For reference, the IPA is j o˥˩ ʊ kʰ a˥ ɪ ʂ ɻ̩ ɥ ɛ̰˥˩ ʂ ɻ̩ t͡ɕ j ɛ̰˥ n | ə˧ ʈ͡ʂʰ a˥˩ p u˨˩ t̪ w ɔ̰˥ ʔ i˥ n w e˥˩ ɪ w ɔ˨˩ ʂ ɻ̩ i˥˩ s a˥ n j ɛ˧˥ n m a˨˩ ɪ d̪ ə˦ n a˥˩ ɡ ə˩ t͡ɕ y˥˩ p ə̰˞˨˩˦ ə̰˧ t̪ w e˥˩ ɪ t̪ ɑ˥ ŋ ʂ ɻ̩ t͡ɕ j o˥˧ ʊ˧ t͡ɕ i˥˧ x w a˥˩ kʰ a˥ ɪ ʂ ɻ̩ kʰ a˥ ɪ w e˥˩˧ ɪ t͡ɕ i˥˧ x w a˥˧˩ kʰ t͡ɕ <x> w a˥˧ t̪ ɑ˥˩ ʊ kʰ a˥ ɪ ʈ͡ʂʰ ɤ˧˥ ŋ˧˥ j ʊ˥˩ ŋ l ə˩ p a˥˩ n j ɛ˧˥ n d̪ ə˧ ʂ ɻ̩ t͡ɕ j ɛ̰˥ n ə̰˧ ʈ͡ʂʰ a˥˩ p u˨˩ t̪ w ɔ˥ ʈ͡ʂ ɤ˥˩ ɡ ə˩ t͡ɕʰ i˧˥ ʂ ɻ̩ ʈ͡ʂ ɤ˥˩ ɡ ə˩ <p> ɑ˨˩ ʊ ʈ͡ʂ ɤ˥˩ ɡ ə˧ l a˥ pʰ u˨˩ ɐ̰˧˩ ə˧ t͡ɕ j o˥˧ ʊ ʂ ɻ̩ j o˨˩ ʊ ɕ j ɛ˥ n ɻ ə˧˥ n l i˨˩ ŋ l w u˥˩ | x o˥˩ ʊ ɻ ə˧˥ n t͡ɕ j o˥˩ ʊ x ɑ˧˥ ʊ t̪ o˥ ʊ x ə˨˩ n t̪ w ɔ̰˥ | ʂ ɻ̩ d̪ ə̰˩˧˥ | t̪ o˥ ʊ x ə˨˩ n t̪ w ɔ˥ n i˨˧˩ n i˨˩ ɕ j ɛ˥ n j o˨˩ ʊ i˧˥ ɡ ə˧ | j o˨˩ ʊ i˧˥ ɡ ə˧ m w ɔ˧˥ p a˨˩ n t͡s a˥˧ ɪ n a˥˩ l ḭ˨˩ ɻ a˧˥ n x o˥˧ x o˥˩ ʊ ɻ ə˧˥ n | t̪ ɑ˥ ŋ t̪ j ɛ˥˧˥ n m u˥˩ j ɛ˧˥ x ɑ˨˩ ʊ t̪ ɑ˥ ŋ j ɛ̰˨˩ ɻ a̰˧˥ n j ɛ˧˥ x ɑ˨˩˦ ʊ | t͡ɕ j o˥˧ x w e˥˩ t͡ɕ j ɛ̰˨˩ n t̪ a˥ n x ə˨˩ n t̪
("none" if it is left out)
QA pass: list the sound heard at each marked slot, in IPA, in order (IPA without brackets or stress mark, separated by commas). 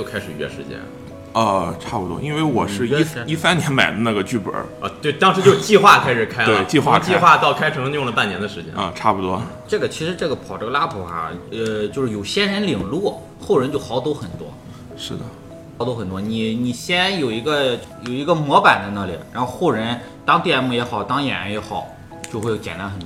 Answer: x, pʰ